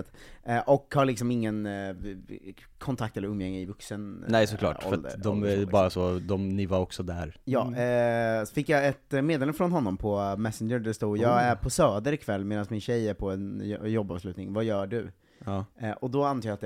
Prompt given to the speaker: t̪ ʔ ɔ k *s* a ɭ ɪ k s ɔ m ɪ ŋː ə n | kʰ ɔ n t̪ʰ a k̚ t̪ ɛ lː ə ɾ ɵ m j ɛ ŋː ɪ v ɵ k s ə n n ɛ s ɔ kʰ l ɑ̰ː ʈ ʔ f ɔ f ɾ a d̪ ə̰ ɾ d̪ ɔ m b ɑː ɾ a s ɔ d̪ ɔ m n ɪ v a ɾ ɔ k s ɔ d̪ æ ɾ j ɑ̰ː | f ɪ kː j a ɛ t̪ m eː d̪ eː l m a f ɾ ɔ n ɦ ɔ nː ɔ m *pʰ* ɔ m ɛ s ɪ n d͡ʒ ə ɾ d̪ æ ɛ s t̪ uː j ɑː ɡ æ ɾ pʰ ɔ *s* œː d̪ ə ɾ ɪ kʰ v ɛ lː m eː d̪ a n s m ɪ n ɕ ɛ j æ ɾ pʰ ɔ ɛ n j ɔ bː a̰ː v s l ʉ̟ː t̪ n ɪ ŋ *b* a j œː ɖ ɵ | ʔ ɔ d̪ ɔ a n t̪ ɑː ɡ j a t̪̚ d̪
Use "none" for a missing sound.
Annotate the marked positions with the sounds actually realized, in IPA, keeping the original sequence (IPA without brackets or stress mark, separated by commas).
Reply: h, pʰ, s, v